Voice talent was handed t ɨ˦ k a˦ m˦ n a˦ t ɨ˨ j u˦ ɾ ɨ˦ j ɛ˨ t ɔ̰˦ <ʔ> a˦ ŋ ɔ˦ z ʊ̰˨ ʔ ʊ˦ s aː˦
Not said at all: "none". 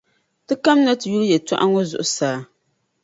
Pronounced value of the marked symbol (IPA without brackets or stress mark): ʔ